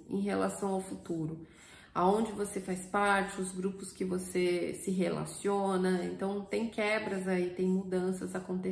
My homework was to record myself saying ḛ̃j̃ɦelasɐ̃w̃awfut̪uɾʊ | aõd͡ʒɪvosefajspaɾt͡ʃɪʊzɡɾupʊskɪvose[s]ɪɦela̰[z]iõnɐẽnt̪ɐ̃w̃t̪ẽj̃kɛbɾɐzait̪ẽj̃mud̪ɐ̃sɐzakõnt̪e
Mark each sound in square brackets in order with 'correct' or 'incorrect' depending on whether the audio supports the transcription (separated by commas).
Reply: correct, incorrect